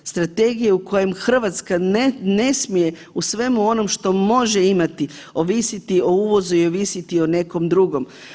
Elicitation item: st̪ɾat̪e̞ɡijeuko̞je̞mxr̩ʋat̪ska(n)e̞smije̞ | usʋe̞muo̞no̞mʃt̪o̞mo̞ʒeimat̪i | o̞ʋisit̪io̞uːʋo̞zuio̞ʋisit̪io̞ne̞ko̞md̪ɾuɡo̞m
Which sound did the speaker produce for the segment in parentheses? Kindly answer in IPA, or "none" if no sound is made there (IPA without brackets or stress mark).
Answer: n